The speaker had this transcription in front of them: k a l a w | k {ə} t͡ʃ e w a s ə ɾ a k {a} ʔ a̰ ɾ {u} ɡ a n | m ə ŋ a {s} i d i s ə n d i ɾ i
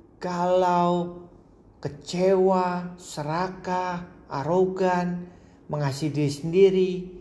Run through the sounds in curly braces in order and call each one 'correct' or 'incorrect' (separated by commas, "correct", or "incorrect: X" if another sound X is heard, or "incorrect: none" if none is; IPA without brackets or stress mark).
correct, correct, incorrect: o, correct